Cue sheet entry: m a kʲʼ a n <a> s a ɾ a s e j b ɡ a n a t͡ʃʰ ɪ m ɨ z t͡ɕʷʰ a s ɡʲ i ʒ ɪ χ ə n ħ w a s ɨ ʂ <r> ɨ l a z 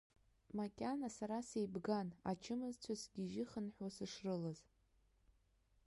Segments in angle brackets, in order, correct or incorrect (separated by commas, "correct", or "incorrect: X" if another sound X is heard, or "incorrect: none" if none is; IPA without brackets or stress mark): correct, correct